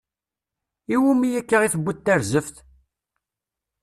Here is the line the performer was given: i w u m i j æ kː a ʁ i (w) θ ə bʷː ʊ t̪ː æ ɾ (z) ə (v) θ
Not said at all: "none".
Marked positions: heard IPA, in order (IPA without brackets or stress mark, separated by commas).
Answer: none, z, f